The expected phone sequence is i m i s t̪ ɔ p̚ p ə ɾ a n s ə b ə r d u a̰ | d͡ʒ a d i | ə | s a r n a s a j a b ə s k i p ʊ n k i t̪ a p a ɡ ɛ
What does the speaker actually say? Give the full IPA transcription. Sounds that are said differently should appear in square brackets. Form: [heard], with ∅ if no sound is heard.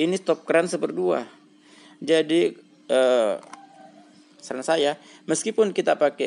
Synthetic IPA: i [n] i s t̪ ɔ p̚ [k] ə ɾ a n s ə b ə r d u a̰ | d͡ʒ a d i | ə | s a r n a s a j a [m] ə s k i p ʊ n k i t̪ a p a [k] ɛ